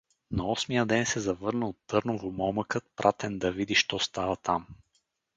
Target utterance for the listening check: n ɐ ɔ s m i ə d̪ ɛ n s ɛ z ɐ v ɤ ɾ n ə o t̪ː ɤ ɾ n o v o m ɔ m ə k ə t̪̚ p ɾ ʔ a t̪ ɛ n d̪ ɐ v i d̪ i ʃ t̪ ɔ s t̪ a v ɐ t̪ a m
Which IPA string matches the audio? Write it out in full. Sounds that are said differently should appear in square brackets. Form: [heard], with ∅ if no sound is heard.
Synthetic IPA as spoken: n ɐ ɔ s m i ə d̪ ɛ n s ɛ z ɐ v ɤ ɾ n ə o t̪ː ɤ ɾ n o v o m ɔ m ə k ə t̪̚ p ɾ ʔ a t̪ ɛ n d̪ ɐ v i d̪ i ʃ t̪ ɔ s t̪ a v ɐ t̪ a m